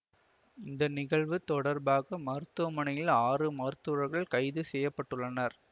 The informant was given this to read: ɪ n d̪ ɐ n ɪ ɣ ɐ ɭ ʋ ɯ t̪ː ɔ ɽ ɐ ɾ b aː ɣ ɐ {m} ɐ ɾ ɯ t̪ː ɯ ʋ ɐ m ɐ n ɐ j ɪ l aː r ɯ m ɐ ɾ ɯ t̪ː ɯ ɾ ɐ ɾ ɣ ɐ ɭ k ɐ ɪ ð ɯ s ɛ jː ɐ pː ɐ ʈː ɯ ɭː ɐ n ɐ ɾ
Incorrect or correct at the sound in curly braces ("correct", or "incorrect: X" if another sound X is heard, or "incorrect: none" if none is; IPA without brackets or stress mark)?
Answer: correct